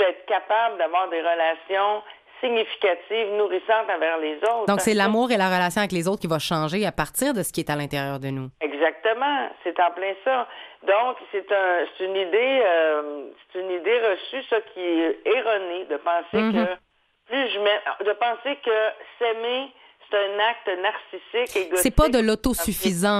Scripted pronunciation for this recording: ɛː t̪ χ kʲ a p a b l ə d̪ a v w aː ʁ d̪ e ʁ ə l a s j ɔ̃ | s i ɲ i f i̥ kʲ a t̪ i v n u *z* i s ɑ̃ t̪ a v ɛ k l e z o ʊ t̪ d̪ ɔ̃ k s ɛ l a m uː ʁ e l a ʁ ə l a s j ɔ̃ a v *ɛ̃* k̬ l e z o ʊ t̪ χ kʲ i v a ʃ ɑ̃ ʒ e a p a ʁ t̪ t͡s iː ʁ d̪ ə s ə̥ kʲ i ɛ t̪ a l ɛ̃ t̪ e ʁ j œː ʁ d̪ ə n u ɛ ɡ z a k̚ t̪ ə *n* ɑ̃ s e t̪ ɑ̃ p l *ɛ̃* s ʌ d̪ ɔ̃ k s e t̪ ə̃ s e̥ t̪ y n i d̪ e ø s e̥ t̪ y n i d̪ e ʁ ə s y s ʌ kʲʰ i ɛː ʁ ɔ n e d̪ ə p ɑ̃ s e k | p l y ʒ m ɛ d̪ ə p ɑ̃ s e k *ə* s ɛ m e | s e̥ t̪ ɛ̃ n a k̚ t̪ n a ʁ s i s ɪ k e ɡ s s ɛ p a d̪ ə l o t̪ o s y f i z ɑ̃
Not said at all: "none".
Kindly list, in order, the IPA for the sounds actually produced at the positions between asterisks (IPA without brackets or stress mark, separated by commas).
ʁ, ɛ, m, ɛ̃, ə